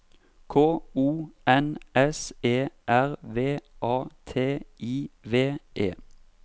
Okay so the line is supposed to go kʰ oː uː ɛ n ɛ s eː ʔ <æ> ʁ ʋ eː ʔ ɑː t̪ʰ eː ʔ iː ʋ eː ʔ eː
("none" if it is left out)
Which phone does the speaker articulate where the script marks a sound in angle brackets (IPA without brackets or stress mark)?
æ